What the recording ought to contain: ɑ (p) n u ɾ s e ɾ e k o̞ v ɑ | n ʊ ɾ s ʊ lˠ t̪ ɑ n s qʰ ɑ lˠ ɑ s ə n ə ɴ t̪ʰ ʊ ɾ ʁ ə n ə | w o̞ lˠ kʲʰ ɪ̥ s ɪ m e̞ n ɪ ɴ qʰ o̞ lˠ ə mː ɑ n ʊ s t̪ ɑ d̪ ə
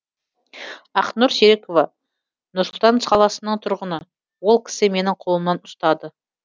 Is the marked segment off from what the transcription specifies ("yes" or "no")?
yes